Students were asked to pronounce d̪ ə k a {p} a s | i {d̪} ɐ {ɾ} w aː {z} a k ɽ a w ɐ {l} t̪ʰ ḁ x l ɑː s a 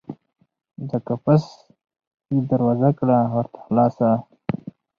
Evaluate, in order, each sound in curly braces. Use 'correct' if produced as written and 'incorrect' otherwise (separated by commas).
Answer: correct, correct, correct, correct, incorrect